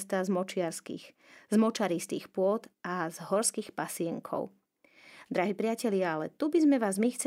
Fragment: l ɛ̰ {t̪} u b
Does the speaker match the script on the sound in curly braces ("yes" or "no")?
yes